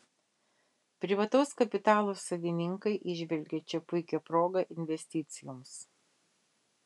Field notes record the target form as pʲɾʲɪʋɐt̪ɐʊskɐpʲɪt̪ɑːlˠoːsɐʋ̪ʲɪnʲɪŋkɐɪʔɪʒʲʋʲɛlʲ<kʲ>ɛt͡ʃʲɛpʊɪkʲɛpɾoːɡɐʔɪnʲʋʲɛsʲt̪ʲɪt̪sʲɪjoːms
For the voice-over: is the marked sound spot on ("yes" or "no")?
no